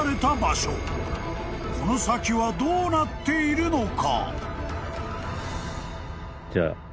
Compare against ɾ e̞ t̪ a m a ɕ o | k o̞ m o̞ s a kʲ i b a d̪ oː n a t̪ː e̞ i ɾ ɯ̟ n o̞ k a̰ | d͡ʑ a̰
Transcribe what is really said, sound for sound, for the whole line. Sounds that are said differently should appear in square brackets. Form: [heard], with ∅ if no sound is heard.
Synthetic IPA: ɾ e̞ t̪ a [b] a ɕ o | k o̞ [n] o̞ s a kʲ i [β] a d̪ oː n a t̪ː e̞ i ɾ ɯ̟ n o̞ k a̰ | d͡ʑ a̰